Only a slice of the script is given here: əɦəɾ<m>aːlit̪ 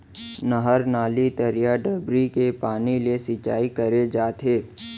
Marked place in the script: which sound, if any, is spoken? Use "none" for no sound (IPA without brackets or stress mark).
n